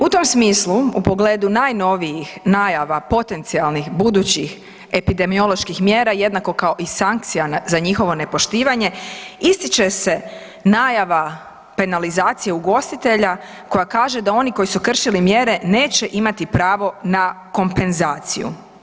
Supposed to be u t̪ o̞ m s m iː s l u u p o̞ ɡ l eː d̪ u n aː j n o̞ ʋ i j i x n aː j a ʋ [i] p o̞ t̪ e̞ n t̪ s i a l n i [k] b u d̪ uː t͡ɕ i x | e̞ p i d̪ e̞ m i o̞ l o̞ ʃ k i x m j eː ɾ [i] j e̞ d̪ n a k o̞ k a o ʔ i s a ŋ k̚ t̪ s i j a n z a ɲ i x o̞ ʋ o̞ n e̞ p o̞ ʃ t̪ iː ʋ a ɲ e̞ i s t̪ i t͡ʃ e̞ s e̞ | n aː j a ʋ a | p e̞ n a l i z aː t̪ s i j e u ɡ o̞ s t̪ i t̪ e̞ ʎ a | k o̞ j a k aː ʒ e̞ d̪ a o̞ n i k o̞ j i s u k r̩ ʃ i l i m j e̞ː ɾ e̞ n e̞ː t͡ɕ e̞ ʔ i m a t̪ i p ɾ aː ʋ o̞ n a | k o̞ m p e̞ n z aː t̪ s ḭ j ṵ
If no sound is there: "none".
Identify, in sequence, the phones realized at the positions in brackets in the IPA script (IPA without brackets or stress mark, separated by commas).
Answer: a, x, a